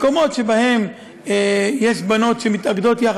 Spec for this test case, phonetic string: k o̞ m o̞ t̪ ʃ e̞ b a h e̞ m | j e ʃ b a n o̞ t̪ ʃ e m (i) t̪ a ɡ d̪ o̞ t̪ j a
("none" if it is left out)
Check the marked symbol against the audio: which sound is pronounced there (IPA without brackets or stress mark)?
i